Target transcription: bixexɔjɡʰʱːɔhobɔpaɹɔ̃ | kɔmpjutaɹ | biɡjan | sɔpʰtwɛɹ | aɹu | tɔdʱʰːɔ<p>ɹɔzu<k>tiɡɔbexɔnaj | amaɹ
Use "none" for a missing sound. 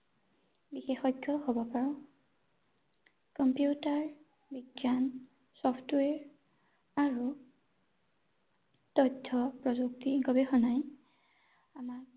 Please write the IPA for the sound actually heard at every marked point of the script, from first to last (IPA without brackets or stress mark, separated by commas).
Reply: p, k